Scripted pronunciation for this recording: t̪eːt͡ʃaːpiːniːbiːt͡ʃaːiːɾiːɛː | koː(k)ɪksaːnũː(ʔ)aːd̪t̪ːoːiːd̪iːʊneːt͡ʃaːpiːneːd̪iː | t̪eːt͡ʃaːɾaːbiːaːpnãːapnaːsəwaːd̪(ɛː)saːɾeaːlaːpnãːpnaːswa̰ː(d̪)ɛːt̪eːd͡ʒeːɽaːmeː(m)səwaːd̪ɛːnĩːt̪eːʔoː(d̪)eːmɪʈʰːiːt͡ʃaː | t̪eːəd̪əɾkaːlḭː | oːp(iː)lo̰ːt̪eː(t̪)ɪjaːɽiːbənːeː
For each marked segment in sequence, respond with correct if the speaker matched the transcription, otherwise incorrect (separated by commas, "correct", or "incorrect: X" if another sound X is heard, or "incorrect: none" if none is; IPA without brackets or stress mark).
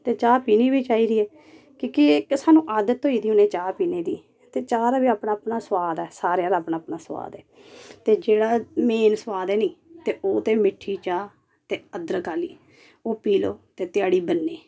correct, correct, correct, correct, incorrect: n, incorrect: t̪, correct, correct